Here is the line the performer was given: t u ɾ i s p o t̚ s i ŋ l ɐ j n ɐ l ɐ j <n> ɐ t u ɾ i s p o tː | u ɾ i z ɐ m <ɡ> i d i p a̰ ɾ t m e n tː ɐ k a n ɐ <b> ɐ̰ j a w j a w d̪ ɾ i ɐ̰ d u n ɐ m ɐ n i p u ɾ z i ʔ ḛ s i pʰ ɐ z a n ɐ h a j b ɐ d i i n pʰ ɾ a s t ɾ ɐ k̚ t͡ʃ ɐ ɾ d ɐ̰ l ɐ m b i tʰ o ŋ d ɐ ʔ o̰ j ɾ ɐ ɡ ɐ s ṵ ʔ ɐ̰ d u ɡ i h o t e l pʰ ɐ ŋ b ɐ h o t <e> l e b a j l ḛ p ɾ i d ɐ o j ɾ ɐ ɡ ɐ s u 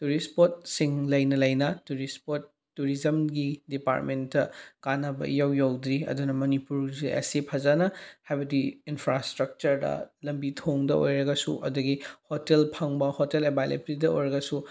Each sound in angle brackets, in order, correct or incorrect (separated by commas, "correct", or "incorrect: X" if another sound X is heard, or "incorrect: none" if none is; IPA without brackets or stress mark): correct, correct, correct, correct